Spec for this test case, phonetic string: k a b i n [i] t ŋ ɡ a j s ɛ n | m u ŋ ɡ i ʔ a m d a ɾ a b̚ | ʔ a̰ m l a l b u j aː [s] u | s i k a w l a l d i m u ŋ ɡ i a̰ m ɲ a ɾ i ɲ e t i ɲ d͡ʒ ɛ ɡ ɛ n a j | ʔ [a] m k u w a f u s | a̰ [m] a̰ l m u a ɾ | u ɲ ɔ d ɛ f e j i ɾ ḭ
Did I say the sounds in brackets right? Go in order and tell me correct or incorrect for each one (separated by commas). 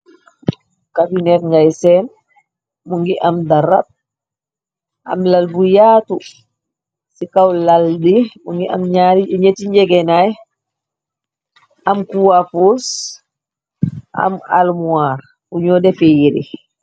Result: incorrect, incorrect, correct, correct